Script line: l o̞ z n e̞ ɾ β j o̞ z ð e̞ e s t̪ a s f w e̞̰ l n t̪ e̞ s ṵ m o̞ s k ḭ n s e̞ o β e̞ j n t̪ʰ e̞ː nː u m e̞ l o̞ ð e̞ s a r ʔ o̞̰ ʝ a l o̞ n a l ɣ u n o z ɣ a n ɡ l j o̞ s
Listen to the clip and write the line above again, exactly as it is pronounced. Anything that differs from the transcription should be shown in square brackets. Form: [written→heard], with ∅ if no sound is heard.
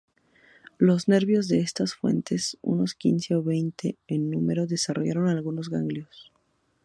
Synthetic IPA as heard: l o̞ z n e̞ ɾ β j o̞ z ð e̞ e s t̪ a s f w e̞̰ [l→∅] n t̪ e̞ s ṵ [m→n] o̞ s k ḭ n s e̞ o β e̞ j n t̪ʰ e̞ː nː u m e̞ [l→ɾ] o̞ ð e̞ s a r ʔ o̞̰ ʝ a [l→ɾ] o̞ n a l ɣ u n o z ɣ a [n→ŋ] ɡ l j o̞ s